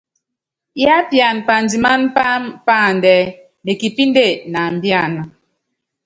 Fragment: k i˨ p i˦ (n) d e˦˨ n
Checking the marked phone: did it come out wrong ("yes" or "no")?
no